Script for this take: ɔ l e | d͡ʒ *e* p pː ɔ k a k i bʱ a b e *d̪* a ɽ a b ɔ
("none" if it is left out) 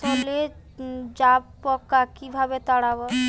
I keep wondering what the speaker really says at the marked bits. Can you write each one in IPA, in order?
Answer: a, t̪

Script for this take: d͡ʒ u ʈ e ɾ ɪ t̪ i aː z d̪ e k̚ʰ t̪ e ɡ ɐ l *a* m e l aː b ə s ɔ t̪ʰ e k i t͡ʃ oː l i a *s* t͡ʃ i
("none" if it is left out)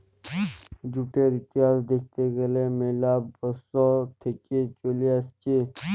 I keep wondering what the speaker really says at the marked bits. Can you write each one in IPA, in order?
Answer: e, s

